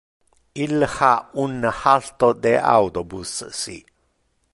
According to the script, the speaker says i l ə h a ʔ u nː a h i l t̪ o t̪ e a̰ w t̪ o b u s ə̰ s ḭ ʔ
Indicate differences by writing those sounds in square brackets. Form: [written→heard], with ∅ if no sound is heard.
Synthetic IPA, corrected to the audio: i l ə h a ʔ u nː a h [i→a] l t̪ o [t̪→d̪] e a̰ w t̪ o b u s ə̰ s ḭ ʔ